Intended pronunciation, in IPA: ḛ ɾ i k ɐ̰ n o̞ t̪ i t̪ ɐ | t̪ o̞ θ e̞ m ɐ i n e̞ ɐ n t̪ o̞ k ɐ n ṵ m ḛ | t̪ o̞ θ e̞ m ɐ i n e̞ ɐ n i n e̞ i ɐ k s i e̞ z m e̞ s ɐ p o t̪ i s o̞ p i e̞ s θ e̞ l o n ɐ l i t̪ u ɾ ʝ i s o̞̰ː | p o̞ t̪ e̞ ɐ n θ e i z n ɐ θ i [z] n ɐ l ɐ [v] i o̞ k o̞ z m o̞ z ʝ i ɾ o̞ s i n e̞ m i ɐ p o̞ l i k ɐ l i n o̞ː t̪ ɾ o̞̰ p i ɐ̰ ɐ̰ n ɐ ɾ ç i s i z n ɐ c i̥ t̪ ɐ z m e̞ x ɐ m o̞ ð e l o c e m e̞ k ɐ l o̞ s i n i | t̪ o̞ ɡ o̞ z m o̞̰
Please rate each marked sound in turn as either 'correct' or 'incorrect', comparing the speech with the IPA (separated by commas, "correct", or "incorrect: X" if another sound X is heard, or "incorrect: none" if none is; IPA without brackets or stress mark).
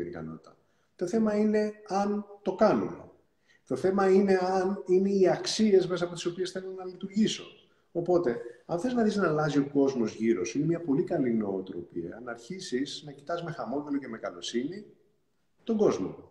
correct, incorrect: z